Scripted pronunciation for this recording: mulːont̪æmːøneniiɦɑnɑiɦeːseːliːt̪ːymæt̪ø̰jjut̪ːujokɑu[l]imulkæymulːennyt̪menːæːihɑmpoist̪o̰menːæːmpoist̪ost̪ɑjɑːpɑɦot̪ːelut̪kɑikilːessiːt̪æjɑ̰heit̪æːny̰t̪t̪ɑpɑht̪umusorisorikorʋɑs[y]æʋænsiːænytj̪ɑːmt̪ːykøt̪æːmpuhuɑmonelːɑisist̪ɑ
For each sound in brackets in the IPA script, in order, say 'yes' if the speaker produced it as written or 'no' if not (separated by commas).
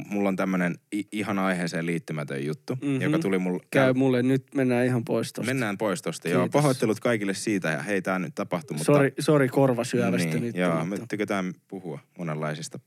yes, yes